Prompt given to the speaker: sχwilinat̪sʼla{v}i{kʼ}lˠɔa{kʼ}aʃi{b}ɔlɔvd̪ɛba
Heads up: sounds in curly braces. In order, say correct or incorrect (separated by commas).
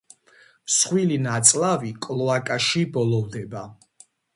correct, correct, correct, correct